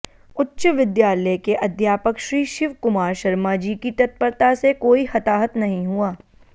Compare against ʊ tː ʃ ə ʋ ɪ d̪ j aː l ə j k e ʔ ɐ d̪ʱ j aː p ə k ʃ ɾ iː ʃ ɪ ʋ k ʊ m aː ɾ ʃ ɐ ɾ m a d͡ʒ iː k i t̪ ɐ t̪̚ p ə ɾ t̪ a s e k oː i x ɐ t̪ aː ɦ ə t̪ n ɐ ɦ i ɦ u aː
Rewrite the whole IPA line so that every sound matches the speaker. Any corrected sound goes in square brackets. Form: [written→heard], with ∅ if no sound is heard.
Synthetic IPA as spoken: ʊ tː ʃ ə ʋ ɪ d̪ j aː l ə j k e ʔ ɐ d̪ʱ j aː p ə k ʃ ɾ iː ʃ ɪ ʋ k ʊ m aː ɾ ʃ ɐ ɾ m a d͡ʒ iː k i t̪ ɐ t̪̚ p ə ɾ t̪ a s e k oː i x ɐ t̪ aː ɦ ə t̪ n ɐ ɦ [i→ĩ] ɦ u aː